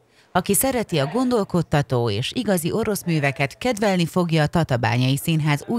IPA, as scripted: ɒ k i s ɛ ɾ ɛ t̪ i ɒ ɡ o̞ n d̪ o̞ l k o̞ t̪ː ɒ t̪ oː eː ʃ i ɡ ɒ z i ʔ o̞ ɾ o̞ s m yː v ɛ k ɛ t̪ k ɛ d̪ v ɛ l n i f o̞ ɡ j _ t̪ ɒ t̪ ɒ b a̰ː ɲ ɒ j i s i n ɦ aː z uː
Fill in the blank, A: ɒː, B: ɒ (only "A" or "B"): A